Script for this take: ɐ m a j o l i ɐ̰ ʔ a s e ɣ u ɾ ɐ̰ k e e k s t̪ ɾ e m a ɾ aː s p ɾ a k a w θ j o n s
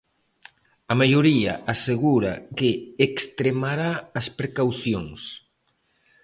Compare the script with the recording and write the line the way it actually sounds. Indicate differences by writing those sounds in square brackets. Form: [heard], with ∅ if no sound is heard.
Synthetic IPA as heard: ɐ m a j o [ɾ] i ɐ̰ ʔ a s e ɣ u ɾ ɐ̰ k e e k s t̪ ɾ e m a ɾ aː s p ɾ [e] k a w θ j o [ŋ] s

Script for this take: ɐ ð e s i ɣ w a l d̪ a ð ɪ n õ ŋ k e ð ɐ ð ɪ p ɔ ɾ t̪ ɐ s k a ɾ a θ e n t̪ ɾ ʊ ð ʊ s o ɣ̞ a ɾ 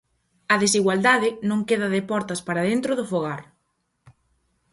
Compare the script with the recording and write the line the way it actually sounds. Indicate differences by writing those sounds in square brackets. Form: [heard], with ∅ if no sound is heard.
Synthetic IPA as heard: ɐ ð e s i ɣ w a l d̪ a ð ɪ n õ ŋ k e ð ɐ ð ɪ p ɔ ɾ t̪ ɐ s [p] a ɾ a [ð] e n t̪ ɾ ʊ ð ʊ [f] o ɣ̞ a ɾ

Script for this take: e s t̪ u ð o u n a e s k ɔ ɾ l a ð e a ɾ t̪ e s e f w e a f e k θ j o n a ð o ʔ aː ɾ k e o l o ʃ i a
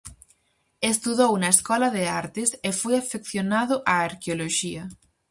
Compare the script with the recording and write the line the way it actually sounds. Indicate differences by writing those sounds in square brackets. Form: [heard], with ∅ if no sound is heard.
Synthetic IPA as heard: e s t̪ u ð o [w] n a e s k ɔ [∅] l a ð e a ɾ t̪ e s e f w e a f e k θ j o n a ð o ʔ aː ɾ k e o l o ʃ i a

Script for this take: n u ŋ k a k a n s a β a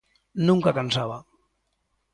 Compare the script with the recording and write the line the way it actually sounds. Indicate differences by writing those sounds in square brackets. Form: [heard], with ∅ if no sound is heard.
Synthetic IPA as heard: n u ŋ k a k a n s a β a

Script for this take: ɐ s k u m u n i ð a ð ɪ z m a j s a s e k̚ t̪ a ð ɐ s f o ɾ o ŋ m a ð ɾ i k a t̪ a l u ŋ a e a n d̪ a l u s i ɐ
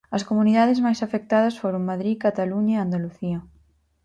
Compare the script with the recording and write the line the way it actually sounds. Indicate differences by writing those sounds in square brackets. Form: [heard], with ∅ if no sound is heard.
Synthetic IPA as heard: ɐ s k [o] m u n i ð a ð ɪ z m a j s a [f] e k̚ t̪ a ð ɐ s f o ɾ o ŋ m a ð ɾ i k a t̪ a l u [ɲ] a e a n d̪ a l u [θ] i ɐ

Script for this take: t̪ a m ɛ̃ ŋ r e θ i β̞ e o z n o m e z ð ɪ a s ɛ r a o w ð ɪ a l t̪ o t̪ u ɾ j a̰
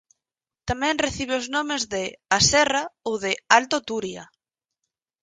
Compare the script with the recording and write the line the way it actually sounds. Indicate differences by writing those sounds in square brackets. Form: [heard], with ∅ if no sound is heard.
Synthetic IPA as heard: t̪ a m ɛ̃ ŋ r e θ i β̞ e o z n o m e z ð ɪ a s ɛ r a o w ð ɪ a l t̪ o t̪ u ɾ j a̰

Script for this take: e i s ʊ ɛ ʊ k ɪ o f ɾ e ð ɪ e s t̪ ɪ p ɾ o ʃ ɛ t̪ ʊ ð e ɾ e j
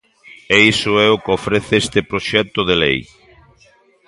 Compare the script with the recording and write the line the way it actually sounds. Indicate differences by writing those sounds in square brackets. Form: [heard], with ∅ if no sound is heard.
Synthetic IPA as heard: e i s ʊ ɛ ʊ k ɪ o f ɾ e [θ] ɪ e s t̪ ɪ p ɾ o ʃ ɛ t̪ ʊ ð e [l] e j

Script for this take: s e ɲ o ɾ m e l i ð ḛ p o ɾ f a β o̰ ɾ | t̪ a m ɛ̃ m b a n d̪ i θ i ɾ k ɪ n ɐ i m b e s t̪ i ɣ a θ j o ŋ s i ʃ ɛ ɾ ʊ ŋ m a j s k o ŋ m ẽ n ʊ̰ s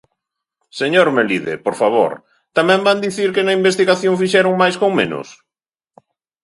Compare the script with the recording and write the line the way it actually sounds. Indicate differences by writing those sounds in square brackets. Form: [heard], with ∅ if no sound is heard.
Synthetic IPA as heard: s e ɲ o ɾ m e l i ð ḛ p o ɾ f a β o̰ ɾ | t̪ a m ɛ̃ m b a n d̪ i θ i ɾ k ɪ n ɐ i m b e s t̪ i ɣ a θ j o ŋ [f] i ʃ ɛ ɾ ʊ ŋ m a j s k o ŋ m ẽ n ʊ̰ s

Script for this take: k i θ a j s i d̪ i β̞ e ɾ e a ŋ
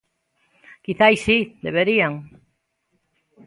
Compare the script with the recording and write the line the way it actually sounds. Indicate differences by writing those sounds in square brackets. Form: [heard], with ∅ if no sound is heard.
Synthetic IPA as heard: k i θ a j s i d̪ [e] β̞ e ɾ [i] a ŋ

